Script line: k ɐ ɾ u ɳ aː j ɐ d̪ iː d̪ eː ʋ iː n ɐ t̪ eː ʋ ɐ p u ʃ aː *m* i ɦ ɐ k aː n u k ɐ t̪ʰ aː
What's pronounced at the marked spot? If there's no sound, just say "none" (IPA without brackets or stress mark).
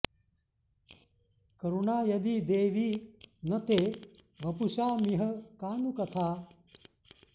m